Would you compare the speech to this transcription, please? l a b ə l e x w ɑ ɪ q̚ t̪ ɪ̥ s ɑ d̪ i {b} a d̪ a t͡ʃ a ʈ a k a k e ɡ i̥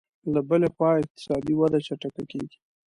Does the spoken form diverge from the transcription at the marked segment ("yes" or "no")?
yes